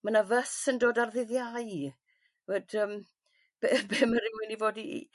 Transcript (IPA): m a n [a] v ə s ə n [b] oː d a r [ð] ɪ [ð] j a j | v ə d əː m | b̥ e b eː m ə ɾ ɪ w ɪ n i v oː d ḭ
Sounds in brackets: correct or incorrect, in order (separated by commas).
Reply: correct, incorrect, correct, correct